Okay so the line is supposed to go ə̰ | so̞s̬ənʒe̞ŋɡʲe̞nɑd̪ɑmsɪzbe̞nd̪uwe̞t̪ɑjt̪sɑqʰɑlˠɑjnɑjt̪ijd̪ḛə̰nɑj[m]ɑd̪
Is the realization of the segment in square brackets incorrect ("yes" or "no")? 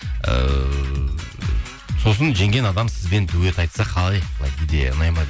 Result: no